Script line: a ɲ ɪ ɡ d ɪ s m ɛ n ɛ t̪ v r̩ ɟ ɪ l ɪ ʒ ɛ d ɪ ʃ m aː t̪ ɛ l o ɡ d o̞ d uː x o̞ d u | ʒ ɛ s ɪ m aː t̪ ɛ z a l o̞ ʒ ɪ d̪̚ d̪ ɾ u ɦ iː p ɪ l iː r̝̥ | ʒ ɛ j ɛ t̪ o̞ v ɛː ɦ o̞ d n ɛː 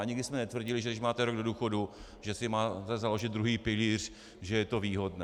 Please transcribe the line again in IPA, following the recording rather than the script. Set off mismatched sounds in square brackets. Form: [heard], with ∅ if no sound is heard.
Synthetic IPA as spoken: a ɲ ɪ ɡ d ɪ s m ɛ n ɛ t̪ v r̩ ɟ ɪ l ɪ ʒ ɛ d ɪ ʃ m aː t̪ ɛ [ɾ] o ɡ d o̞ d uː x o̞ d u | ʒ ɛ s ɪ m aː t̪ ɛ z a l o̞ ʒ ɪ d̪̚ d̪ ɾ u ɦ iː p ɪ l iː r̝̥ | ʒ ɛ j ɛ t̪ o̞ v [iː] ɦ o̞ d n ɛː

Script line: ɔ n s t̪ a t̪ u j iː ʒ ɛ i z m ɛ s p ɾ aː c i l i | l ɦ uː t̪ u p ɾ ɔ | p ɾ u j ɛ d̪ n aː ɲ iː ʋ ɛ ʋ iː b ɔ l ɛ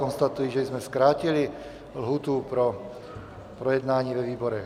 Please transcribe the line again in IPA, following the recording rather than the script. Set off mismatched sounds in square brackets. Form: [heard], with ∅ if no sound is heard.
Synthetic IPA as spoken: ɔ n s t̪ a t̪ u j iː ʒ ɛ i z m ɛ s [k] ɾ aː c i l i | l ɦ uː t̪ u p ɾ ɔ | p ɾ [ɔ] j ɛ d̪ n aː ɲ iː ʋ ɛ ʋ iː b ɔ [ɾ] ɛ

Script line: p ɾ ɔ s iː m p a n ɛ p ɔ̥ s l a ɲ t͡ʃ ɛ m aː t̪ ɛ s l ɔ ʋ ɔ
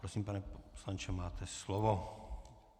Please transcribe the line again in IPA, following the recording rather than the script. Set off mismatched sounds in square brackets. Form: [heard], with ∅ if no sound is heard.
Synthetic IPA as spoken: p ɾ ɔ s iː m p a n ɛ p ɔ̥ s l a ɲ t͡ʃ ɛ m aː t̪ ɛ s l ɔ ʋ ɔ

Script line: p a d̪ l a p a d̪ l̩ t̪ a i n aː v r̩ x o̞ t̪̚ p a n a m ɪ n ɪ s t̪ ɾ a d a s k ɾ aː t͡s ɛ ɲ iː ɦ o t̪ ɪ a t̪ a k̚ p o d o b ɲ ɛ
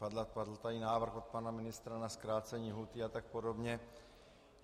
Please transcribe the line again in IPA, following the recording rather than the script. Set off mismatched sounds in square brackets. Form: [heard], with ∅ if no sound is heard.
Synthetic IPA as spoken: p a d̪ l a p a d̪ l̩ t̪ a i n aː v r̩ x o̞ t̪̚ p a n a m ɪ n ɪ s t̪ ɾ a [n] a s k ɾ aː t͡s ɛ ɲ iː ɦ [u] t̪ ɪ a t̪ a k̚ p o d o b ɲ ɛ

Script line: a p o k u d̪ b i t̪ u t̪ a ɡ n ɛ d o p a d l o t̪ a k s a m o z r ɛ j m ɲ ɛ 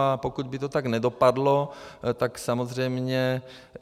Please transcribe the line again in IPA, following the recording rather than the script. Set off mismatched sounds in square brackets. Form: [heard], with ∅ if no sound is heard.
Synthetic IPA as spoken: a p o k u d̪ b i t̪ [o] t̪ a ɡ n ɛ d o p a d l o t̪ a k s a m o z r ɛ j m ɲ ɛ

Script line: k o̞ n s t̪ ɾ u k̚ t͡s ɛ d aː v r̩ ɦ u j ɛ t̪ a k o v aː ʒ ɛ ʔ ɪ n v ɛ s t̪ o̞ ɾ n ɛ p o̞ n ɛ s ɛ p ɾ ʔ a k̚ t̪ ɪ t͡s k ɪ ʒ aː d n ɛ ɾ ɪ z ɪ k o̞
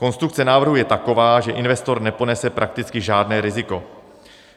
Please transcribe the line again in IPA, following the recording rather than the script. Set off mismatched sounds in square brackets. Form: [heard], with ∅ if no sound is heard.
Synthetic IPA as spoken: k o̞ n s t̪ ɾ u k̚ t͡s ɛ [n] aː v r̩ ɦ u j ɛ t̪ a k o v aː ʒ ɛ ʔ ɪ n v ɛ s t̪ o̞ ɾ n ɛ p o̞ n ɛ s ɛ p ɾ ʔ a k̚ t̪ ɪ t͡s k ɪ ʒ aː d n [ɛː] ɾ ɪ z ɪ k o̞

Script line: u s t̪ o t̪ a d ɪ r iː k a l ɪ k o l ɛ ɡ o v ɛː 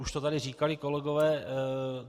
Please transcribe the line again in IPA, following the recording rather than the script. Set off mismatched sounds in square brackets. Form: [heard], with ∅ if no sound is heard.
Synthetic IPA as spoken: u [ʃ] t̪ o t̪ a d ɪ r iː k a l ɪ k o l ɛ ɡ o v ɛː

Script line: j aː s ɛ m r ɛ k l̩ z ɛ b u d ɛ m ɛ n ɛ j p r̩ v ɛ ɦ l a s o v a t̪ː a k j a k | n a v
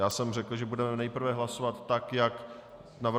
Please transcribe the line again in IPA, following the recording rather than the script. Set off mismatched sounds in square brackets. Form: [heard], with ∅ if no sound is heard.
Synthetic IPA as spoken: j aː s ɛ m r ɛ k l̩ [ʒ] ɛ b u d ɛ m ɛ n ɛ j p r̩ v ɛ ɦ l a s o v a t̪ː a k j a k | n a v

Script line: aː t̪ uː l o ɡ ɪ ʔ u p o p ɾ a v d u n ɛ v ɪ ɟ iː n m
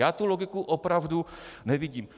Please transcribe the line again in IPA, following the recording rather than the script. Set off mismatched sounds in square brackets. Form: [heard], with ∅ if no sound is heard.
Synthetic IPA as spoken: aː t̪ [u] l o ɡ ɪ [k] u [ʔ] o p ɾ a v d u n ɛ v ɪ ɟ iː [∅] m

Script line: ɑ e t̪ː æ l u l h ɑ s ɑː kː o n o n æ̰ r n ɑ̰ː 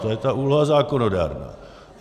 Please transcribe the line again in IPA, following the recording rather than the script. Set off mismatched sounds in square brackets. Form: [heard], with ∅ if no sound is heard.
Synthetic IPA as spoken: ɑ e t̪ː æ [∅] u l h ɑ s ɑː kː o n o [d] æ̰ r n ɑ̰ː

